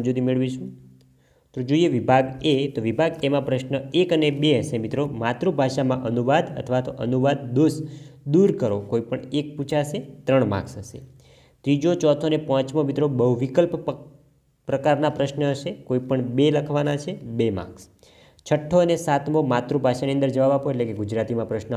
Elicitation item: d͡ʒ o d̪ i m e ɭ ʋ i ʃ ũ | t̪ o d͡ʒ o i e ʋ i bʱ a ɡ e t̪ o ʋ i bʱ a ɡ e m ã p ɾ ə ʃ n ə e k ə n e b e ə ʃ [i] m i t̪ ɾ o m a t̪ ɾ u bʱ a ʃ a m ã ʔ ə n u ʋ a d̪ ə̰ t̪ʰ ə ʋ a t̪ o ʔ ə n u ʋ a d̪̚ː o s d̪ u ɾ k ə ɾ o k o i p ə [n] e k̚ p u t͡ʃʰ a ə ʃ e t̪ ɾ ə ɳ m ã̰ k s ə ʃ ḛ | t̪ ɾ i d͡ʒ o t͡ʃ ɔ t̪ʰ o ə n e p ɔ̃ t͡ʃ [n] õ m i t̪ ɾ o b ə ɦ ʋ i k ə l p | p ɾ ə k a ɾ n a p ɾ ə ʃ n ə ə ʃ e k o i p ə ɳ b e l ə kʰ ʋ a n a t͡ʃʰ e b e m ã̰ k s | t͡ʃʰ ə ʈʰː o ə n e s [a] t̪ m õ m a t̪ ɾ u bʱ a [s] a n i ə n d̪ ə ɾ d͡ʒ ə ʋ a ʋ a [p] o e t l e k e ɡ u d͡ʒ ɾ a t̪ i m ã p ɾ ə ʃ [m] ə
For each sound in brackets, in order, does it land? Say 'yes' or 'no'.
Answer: no, no, no, yes, no, yes, no

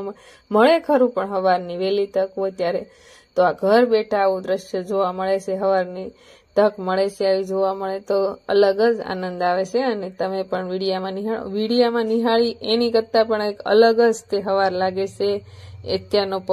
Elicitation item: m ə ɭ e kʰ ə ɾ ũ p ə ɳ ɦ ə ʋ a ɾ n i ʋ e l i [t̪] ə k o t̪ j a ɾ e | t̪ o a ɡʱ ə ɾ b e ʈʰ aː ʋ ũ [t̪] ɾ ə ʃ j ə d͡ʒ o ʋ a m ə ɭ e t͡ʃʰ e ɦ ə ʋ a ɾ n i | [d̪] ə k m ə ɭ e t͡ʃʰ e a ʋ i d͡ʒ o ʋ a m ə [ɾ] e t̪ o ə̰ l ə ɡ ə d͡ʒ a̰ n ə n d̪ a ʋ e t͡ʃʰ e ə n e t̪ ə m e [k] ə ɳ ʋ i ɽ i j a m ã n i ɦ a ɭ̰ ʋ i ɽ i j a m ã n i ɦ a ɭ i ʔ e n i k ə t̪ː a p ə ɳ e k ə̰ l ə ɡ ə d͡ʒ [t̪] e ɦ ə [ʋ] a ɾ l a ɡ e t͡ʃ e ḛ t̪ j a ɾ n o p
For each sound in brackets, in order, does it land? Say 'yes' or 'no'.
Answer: yes, no, no, no, no, yes, yes

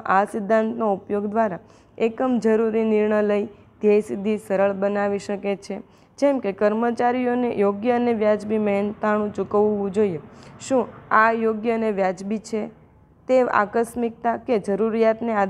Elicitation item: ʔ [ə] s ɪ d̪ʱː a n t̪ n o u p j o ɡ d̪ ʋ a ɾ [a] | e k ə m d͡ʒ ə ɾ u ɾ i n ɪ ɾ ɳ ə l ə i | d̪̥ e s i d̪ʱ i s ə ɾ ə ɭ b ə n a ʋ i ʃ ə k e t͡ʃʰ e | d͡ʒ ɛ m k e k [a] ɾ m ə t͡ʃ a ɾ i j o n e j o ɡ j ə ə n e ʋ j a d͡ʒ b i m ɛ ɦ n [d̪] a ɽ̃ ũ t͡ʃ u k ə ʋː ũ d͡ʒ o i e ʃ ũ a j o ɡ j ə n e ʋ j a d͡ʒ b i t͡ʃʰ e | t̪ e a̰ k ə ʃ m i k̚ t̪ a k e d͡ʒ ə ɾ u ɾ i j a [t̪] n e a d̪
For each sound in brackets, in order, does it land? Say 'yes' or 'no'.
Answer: no, yes, no, no, yes

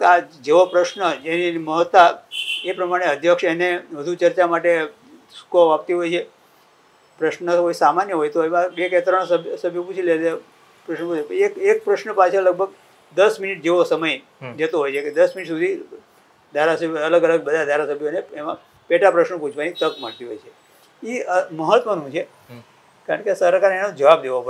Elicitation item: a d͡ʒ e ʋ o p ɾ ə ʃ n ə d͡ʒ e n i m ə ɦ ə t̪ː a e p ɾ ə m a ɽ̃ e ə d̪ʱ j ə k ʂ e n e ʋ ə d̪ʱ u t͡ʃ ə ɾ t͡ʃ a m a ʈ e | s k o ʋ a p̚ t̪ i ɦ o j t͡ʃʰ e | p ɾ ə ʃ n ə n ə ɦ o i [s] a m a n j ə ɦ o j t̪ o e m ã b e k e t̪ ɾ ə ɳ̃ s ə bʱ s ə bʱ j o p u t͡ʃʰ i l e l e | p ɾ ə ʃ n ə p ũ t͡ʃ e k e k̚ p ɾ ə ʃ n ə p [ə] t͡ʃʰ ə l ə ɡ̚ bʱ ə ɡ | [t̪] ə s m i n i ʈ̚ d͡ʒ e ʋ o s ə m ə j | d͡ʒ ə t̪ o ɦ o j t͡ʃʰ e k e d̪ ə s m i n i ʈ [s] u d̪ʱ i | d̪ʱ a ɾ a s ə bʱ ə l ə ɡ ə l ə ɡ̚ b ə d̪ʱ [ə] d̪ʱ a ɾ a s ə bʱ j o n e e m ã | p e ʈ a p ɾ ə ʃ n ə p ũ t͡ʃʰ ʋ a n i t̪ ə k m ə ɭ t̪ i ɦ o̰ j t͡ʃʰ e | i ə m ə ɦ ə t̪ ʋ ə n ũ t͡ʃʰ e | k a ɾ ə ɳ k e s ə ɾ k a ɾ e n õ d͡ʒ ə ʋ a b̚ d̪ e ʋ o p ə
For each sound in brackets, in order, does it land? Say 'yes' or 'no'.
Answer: yes, no, no, yes, no

